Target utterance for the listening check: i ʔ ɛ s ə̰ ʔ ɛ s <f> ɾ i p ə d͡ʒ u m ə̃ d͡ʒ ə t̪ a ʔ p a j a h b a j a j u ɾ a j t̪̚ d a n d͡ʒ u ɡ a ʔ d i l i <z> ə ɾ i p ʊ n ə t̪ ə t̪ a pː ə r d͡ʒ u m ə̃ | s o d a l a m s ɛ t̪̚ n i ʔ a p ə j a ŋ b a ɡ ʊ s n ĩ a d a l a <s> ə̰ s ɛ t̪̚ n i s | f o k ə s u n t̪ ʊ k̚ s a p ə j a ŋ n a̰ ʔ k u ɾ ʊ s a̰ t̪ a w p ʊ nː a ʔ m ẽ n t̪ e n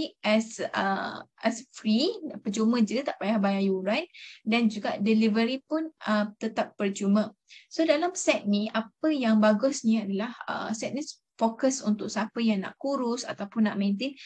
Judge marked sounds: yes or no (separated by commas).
yes, no, no